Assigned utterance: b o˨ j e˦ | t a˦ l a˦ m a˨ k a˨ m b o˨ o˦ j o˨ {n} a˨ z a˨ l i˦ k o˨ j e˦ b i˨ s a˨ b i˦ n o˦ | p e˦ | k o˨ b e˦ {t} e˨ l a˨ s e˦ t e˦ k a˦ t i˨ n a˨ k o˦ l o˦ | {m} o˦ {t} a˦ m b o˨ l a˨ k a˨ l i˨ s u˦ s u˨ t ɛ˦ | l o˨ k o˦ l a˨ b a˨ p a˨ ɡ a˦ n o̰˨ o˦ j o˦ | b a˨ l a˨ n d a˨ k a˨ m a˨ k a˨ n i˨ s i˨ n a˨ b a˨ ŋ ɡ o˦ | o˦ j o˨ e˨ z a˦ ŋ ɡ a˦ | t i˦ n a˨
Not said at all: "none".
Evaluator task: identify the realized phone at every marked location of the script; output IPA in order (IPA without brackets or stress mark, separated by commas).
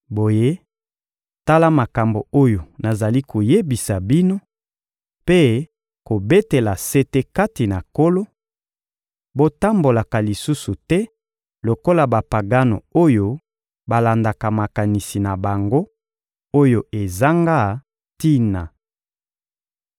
n, t, b, t